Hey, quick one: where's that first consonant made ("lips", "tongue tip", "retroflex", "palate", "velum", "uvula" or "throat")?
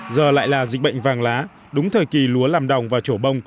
tongue tip